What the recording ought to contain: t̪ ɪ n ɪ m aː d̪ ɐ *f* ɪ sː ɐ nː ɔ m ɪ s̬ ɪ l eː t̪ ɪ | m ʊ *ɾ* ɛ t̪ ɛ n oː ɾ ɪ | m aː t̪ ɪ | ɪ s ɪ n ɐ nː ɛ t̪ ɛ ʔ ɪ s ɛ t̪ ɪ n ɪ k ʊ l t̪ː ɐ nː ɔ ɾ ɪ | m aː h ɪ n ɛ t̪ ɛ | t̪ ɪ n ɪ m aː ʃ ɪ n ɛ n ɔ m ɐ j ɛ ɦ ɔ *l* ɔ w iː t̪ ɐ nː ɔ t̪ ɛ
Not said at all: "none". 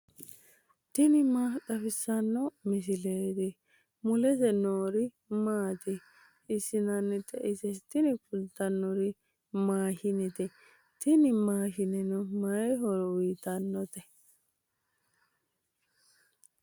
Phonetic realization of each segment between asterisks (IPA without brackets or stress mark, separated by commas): f, l, ɾ